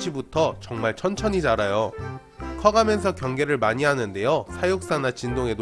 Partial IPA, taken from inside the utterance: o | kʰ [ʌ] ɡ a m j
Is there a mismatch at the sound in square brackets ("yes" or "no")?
no